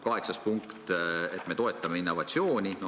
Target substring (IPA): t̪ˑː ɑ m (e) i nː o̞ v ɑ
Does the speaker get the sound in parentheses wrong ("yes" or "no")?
no